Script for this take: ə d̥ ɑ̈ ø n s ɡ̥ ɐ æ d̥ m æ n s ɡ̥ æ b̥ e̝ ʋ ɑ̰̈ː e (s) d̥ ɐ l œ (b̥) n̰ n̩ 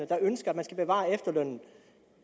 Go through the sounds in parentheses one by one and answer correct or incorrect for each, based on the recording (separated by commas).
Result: incorrect, incorrect